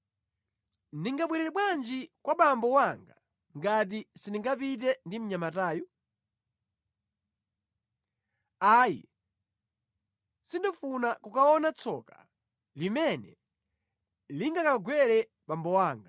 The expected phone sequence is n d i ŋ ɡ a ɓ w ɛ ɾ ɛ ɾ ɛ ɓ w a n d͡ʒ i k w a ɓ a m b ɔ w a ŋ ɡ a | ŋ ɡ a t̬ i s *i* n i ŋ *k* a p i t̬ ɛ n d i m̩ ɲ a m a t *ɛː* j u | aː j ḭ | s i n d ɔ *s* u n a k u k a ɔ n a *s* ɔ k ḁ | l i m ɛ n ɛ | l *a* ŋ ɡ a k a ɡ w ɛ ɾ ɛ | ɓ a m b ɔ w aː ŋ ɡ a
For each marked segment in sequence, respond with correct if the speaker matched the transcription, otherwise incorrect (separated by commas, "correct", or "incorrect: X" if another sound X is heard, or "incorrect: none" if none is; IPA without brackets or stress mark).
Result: correct, incorrect: ɡ, incorrect: aː, incorrect: f, incorrect: t͡s, incorrect: i